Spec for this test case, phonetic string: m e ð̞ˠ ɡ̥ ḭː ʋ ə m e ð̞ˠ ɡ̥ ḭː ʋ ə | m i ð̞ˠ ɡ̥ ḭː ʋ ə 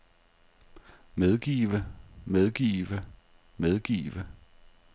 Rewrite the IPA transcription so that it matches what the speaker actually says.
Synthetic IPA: m e ð̞ˠ ɡ̥ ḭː ʋ ə m e ð̞ˠ ɡ̥ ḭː ʋ ə | m e ð̞ˠ ɡ̥ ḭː ʋ ə